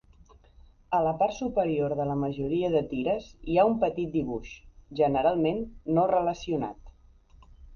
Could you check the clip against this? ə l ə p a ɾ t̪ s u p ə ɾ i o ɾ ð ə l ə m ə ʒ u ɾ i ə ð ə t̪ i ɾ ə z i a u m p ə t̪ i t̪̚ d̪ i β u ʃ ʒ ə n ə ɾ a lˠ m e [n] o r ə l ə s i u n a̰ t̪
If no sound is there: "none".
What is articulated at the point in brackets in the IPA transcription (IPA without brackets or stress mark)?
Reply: nː